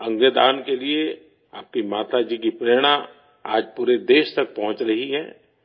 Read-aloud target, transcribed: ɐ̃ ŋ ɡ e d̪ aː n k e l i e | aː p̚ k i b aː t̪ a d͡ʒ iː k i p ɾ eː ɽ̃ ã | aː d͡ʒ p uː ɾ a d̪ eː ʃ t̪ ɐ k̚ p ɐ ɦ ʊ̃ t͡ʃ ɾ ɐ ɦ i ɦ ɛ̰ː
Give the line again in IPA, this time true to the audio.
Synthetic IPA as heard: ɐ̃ ŋ ɡ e d̪ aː n k e l i e | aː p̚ k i m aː t̪ a d͡ʒ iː k i p ɾ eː ɽ̃ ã | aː d͡ʒ p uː ɾ e d̪ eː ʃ t̪ ɐ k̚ p ɐ ɦ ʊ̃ t͡ʃ ɾ ɐ ɦ i ɦ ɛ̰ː